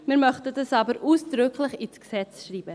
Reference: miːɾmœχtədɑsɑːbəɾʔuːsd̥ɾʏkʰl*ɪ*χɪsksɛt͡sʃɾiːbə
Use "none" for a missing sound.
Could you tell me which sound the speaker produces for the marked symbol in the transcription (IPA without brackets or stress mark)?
ɪ